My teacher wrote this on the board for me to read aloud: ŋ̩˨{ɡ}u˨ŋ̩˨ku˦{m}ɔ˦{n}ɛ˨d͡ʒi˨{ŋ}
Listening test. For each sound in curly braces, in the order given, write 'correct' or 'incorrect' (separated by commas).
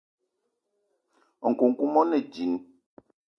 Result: incorrect, correct, correct, incorrect